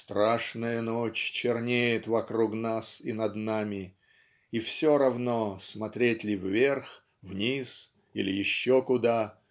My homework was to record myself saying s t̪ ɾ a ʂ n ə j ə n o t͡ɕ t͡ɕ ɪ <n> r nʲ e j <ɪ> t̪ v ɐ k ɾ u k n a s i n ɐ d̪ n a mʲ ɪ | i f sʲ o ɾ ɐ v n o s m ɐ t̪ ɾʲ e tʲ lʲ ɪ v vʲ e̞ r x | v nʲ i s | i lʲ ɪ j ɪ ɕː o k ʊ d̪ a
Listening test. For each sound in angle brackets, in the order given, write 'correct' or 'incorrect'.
incorrect, correct

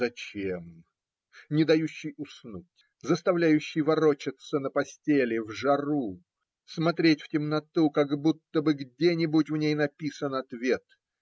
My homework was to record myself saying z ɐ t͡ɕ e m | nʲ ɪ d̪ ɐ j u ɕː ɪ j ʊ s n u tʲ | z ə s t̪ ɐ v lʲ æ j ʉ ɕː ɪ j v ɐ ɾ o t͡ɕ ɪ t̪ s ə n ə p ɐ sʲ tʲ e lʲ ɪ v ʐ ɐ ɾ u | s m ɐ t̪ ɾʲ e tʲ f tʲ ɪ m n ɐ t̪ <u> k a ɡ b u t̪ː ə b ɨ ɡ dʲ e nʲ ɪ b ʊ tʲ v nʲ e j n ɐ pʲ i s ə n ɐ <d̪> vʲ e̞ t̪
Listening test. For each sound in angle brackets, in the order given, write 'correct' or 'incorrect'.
correct, incorrect

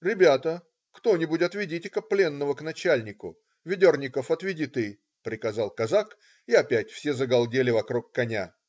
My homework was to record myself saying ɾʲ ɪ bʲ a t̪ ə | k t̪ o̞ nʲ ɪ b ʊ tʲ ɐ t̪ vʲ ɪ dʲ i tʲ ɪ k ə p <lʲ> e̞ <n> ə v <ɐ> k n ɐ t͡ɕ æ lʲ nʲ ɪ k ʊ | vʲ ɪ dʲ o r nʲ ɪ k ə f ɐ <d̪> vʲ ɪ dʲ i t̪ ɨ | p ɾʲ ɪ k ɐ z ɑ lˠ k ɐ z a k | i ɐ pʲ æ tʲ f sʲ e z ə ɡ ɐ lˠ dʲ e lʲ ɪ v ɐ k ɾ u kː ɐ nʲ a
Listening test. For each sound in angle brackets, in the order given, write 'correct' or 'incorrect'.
correct, incorrect, incorrect, incorrect

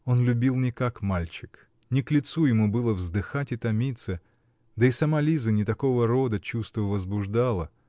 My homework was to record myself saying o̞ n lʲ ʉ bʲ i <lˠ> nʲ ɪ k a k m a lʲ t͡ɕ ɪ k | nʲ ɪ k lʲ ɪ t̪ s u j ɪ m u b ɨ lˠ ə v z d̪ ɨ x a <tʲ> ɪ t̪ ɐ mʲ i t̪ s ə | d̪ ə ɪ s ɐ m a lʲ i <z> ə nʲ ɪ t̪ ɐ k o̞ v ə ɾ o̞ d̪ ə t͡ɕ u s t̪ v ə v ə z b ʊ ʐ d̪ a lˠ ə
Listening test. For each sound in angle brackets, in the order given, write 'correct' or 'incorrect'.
correct, correct, correct

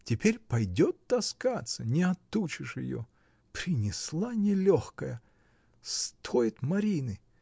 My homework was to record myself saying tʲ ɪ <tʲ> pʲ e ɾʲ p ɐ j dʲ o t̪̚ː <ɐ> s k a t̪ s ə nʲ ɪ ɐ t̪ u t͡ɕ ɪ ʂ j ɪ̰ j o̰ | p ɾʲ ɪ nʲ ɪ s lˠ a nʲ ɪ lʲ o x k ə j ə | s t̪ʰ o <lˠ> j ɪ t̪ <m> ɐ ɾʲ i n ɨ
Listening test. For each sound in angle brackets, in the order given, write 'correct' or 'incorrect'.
incorrect, correct, incorrect, correct

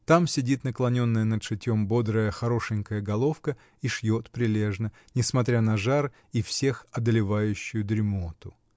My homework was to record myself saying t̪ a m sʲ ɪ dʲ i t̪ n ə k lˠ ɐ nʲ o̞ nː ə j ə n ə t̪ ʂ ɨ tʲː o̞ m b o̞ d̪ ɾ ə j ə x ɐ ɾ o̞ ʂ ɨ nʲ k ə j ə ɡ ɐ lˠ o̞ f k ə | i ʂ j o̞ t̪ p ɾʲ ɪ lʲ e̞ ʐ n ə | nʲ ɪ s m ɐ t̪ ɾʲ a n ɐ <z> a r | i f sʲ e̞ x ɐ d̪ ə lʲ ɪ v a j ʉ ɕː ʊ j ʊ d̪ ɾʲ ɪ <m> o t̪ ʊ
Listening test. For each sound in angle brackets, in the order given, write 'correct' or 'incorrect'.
incorrect, correct

